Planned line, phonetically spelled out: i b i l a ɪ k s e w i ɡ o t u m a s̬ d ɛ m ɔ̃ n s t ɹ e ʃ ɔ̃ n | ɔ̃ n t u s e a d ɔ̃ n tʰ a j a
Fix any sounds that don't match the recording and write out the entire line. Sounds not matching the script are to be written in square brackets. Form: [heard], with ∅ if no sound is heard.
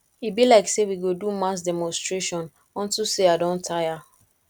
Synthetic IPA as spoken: i b i l a ɪ k s e w i ɡ o [d] u m a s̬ d ɛ m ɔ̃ n s t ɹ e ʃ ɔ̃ n | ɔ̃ n t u s e a d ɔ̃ n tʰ a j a

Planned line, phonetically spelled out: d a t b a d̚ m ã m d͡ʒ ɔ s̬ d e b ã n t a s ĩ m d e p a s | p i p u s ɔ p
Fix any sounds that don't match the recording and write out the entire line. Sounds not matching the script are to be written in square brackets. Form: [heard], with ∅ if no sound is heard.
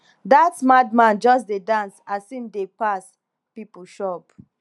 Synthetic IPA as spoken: d a t [m] a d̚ m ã [n] d͡ʒ ɔ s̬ d e [d] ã n [s] a s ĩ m d e p a s | p i p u [ʃ] ɔ p

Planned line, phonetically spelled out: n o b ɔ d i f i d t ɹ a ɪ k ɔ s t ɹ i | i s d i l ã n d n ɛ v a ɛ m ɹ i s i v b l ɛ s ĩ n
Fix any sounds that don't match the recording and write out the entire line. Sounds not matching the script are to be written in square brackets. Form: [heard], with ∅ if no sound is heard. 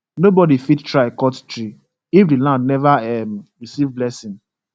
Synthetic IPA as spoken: n o b ɔ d i f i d t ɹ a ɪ k ɔ [t] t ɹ i | i [f] d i l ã n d n ɛ v a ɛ m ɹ i s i v b l ɛ s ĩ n

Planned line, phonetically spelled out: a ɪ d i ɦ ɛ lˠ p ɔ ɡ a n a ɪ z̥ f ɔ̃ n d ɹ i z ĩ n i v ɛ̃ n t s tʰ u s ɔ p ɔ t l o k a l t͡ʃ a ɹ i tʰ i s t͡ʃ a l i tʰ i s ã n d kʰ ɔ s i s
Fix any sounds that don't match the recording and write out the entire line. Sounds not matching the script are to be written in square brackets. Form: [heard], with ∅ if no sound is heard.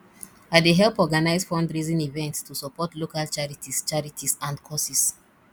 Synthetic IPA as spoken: a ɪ d [e] ɦ ɛ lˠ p ɔ ɡ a n a ɪ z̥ f ɔ̃ n d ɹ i z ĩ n i v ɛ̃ n t s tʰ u s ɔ p ɔ t l o k a l t͡ʃ a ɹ i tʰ i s t͡ʃ a [ɹ] i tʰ i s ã n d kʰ ɔ s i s

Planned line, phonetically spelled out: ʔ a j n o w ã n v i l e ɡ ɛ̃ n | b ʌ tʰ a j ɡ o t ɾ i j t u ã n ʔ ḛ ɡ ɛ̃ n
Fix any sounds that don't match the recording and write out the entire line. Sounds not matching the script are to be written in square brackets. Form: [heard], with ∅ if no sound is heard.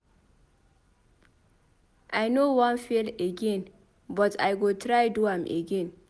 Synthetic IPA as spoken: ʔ a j n o w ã n [f] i l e ɡ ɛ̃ n | b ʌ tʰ a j ɡ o t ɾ [a] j [d] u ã [m] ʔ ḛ ɡ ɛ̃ n

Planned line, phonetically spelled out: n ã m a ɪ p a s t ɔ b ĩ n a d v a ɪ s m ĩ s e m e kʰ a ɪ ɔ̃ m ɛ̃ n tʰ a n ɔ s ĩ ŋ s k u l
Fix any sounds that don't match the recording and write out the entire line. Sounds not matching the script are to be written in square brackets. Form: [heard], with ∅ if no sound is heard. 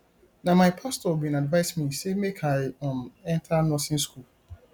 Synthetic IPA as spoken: n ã m a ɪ [pʰ] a s t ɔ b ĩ n a d v a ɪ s m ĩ s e m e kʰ a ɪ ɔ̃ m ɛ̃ n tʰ a n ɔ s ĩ [n] s k u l

